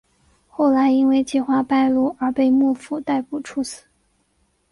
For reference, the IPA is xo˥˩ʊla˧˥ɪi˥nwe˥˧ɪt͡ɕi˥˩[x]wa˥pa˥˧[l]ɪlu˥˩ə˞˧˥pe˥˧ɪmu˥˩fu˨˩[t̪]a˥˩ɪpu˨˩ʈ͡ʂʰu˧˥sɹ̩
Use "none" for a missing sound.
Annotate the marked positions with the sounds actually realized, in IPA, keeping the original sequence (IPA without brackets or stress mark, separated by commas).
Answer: x, none, t̪